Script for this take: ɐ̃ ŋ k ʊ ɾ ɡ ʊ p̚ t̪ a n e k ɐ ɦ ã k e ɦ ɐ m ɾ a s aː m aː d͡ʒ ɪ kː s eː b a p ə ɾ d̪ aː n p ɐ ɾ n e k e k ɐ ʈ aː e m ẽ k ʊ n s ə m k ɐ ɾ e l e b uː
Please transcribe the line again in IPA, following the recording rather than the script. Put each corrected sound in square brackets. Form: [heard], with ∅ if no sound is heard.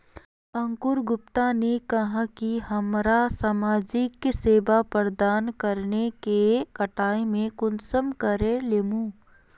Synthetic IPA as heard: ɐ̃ ŋ k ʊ ɾ ɡ ʊ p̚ t̪ a n e k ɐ ɦ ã k [i] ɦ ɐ m ɾ a s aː m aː d͡ʒ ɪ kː s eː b a p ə ɾ d̪ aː n [k] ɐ ɾ n e k e k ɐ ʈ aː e m ẽ k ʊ n s ə m k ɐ ɾ e l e [m] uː